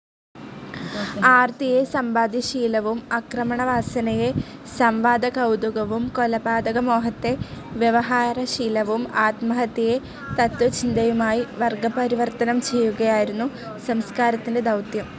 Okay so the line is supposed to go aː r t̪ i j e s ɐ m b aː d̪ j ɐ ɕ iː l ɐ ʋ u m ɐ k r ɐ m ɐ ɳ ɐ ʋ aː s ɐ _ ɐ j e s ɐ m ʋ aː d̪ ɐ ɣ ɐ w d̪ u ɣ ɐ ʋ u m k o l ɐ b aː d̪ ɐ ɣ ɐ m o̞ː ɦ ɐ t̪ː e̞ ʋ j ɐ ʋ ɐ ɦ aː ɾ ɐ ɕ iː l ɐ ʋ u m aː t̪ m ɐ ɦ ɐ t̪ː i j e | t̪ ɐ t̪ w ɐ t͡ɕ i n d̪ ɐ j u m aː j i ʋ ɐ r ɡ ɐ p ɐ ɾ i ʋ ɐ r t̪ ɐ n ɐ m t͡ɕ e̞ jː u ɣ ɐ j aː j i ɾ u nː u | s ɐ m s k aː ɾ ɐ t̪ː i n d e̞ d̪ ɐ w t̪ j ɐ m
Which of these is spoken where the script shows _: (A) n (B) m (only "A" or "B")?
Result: A